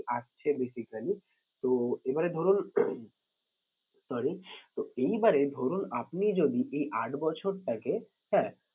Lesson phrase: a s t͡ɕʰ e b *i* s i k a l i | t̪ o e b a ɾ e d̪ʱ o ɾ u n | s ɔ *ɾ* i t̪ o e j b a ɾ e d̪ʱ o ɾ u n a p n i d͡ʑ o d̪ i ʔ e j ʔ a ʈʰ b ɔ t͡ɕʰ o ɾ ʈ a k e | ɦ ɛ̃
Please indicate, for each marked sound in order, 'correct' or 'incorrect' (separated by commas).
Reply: incorrect, correct